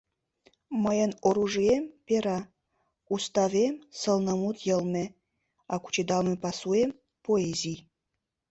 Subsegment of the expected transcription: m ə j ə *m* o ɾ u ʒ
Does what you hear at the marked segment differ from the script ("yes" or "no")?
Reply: yes